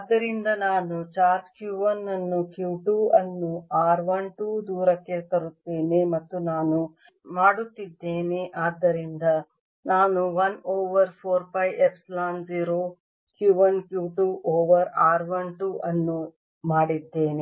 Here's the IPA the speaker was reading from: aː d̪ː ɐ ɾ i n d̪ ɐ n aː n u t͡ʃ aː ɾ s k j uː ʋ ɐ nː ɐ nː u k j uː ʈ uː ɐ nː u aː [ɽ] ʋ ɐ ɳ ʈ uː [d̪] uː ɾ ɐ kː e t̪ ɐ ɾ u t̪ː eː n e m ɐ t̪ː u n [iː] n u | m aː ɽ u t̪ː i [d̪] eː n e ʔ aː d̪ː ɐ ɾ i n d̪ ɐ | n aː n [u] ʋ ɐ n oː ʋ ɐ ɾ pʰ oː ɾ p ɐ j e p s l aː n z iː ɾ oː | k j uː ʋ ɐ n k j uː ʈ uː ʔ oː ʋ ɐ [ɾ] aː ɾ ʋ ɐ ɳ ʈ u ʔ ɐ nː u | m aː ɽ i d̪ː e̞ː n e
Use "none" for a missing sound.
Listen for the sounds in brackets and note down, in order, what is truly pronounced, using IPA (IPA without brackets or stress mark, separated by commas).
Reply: ɾ, d̪, aː, d̪ː, u, ɾ